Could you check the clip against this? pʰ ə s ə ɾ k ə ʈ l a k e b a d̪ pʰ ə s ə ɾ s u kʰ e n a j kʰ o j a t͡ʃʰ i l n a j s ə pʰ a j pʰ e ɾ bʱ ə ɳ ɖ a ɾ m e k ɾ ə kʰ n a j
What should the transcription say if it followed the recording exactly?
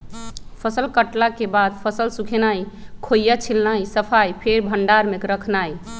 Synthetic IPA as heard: pʰ ə s ə l k ə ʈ l a k e b a d̪ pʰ ə s ə l s u kʰ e n a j kʰ o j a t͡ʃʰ i l n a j s ə pʰ a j pʰ e ɾ bʱ ə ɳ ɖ a ɾ m e k ɾ ə kʰ n a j